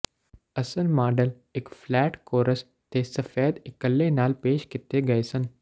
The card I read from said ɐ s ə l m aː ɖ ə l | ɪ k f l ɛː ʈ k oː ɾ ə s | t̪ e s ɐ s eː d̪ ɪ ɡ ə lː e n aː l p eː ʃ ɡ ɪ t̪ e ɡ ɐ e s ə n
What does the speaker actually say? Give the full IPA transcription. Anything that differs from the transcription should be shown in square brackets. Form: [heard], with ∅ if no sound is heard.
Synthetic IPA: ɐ s ə l m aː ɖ ə l | ɪ k f l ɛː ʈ k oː ɾ ə s | t̪ e s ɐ [f] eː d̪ ɪ [k] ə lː e n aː l p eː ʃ [k] ɪ t̪ e ɡ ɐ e s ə n

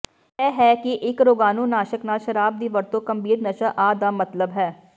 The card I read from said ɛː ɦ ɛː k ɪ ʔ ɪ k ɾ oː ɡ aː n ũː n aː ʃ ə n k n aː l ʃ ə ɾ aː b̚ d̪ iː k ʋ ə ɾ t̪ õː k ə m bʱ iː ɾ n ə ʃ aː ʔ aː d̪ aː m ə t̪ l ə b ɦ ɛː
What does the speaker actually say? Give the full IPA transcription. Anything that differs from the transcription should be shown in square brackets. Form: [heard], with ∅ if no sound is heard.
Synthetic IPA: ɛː ɦ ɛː k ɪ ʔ ɪ k ɾ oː ɡ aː n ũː n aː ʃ ə [∅] k n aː l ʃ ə ɾ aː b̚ d̪ iː [∅] ʋ ə ɾ t̪ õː k ə m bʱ iː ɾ n ə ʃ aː ʔ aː d̪ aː m ə t̪ l ə b ɦ ɛː

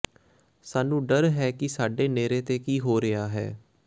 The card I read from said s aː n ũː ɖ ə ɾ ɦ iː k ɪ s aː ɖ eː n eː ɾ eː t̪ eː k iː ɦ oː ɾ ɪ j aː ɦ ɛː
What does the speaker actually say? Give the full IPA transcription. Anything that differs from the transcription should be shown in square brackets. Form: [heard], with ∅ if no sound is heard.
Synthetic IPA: s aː n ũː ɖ ə ɾ ɦ [ɛː] k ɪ s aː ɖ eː n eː ɾ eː t̪ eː k iː ɦ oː ɾ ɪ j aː ɦ ɛː

